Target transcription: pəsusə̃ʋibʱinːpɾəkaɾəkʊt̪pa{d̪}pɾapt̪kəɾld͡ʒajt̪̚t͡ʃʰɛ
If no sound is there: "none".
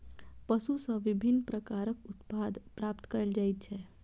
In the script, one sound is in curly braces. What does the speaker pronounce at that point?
d̪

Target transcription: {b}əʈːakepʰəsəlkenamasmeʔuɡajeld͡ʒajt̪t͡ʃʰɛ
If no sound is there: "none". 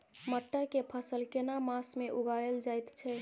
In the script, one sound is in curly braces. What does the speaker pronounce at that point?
m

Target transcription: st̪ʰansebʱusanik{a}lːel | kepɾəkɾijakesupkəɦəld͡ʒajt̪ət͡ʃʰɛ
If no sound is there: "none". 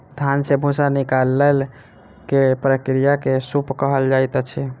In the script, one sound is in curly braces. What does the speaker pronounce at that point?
a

